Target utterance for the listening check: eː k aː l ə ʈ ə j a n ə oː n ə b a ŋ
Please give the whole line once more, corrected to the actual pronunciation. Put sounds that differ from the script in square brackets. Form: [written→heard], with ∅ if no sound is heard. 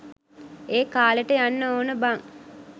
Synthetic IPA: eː k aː l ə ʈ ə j a [n→nː] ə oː n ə b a ŋ